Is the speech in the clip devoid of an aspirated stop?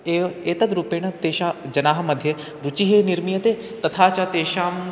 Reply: no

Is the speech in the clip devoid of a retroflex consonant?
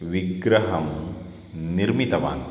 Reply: yes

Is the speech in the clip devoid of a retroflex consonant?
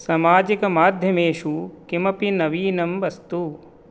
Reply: yes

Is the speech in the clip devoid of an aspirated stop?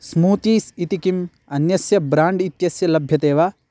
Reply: yes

